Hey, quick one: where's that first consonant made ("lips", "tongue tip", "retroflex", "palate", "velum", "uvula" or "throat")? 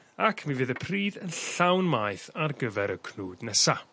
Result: velum